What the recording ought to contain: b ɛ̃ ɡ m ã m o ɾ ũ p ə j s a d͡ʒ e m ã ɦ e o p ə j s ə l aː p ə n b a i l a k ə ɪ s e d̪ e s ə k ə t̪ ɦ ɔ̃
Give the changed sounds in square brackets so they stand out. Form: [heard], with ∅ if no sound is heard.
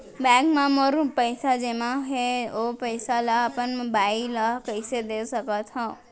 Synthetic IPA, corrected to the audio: b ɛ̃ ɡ m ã m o ɾ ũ p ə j s a d͡ʒ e m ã ɦ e o p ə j s [a] l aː p ə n b a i l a k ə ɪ s e d̪ e s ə k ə t̪ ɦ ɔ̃